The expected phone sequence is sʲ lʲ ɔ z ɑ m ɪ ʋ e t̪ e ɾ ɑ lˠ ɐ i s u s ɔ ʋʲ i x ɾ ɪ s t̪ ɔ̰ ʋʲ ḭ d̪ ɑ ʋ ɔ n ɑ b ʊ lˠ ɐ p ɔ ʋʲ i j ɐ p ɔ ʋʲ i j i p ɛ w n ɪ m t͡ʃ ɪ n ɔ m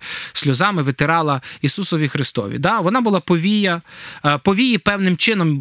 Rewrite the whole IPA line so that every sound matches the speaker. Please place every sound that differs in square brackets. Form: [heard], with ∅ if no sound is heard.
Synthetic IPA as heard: sʲ lʲ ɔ z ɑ m ɪ ʋ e t̪ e ɾ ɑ lˠ ɐ i s u s ɔ ʋʲ i x ɾ ɪ s t̪ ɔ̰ ʋʲ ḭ d̪ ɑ ʋ ɔ n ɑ b ʊ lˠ [ɑ] p ɔ ʋʲ i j ɐ p ɔ ʋʲ i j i p ɛ w n ɪ m t͡ʃ ɪ n ɔ m